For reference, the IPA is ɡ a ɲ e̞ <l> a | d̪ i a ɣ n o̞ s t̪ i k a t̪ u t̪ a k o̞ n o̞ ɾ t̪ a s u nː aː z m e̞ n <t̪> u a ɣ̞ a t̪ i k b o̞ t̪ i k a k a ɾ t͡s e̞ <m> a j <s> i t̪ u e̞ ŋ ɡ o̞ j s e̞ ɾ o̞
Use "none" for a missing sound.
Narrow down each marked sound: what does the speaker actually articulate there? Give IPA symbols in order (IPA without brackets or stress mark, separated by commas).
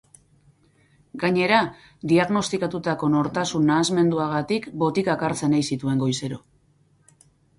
ɾ, d̪, n, s